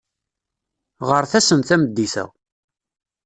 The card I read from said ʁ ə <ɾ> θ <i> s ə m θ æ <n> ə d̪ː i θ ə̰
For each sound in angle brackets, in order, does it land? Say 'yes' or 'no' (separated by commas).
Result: yes, no, no